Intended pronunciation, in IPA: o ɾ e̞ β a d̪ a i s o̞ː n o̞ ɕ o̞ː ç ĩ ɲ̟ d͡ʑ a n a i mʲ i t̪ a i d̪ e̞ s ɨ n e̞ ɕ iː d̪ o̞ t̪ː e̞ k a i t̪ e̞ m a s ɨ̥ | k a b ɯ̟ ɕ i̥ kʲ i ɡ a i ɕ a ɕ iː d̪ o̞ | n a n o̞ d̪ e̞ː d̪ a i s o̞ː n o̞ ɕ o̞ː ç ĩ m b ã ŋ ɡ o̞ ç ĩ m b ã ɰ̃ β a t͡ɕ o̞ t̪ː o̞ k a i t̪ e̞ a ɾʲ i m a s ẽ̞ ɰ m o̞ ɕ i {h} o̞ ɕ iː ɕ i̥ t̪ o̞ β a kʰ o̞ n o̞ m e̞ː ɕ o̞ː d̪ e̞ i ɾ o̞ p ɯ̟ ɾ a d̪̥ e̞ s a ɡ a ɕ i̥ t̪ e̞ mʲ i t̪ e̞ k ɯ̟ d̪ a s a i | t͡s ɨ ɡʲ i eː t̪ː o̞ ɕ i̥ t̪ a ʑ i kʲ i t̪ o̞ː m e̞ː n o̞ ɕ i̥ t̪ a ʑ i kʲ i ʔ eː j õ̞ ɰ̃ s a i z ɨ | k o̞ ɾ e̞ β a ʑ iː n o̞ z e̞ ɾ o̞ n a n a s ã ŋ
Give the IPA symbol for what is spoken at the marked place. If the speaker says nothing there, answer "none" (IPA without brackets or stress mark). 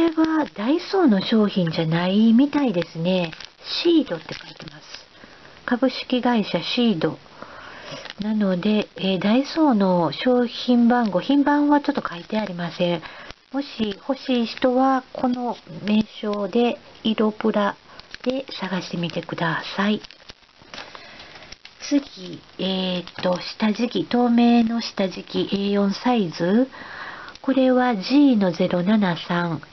h